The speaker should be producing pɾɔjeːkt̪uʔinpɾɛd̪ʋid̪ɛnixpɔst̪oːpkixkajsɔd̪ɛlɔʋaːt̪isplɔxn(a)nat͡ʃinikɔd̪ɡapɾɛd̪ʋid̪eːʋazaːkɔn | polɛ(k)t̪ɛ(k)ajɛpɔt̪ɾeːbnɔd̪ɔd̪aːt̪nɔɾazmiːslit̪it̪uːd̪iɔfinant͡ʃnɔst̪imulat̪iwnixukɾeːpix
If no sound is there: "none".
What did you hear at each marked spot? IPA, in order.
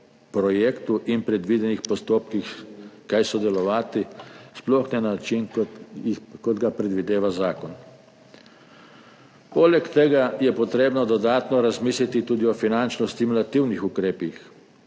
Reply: ɛ, k, ɡ

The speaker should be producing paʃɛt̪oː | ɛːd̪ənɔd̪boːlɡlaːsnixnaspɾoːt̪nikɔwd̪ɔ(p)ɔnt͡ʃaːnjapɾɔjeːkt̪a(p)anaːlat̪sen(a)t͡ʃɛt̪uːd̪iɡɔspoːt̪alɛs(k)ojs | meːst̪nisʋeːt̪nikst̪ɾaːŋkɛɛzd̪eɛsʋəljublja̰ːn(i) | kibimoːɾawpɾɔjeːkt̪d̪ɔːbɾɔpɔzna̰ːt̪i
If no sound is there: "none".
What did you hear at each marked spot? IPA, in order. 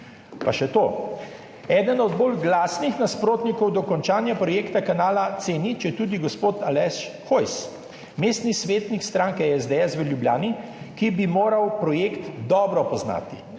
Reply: k, k, i, x, i

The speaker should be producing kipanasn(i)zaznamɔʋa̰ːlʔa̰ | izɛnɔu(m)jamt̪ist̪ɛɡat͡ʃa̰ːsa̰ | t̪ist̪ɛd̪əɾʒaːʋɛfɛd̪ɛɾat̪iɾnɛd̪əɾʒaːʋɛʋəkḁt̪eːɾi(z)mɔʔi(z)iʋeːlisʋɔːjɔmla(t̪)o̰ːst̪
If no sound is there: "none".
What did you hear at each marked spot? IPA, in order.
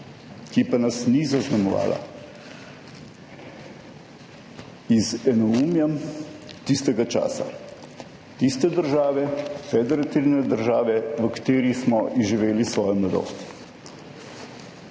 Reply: i, m, s, ʒ, d̪

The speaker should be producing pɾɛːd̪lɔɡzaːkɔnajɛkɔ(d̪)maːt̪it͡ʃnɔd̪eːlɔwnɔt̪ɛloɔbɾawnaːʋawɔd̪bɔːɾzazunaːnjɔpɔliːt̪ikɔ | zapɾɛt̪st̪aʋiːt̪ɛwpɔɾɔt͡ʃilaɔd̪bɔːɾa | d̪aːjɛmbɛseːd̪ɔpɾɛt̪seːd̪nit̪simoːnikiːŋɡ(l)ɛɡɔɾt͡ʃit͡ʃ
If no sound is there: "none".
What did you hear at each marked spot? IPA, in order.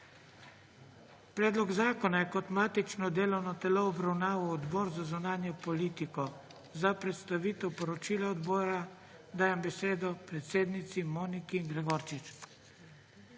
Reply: t̪, ɾ

